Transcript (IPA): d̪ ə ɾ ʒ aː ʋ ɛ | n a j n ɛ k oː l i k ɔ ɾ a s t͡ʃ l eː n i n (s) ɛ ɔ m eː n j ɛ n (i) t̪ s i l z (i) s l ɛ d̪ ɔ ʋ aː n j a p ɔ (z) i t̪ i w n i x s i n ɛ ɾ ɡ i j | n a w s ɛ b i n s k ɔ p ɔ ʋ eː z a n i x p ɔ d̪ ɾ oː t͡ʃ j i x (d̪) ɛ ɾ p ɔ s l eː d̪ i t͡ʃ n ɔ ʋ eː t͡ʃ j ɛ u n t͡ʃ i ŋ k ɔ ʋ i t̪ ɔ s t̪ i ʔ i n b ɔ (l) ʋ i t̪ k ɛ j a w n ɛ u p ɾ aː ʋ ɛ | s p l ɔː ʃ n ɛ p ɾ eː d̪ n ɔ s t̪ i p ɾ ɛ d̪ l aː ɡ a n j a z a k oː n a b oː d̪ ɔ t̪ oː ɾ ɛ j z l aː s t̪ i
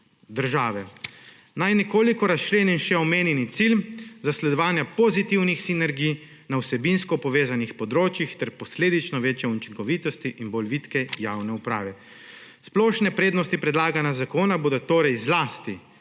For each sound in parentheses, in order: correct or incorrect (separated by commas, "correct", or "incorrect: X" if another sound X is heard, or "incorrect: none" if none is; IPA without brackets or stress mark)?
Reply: incorrect: ʃ, correct, incorrect: a, correct, incorrect: t̪, correct